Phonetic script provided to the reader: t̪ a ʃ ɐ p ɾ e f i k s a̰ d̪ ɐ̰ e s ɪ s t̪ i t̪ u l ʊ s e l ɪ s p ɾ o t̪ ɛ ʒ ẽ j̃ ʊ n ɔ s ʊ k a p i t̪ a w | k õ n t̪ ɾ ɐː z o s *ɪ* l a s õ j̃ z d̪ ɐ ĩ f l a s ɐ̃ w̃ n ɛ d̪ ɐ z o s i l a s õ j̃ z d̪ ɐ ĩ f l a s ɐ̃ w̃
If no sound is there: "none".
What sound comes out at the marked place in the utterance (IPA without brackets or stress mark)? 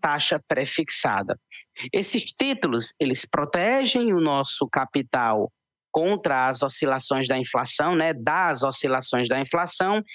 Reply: i